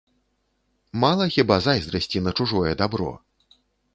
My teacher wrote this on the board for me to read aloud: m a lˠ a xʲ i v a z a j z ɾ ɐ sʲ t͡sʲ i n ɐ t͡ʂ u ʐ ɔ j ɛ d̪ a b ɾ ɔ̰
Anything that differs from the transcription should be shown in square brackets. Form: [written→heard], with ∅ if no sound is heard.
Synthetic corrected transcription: m a lˠ [a→ɐ] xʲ i [v→b] a z a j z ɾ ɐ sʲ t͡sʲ i n ɐ t͡ʂ u ʐ ɔ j ɛ d̪ a b ɾ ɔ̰